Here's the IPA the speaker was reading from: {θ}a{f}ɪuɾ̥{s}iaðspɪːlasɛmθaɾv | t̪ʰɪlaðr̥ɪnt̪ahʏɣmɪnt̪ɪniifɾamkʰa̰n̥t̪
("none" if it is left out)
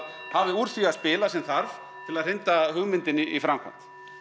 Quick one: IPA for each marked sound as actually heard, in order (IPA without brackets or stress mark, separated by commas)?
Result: h, v, θ